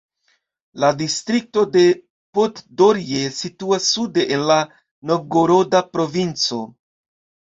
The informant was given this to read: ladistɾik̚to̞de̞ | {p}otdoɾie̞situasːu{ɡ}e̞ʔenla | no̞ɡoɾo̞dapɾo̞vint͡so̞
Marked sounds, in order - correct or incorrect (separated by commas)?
correct, incorrect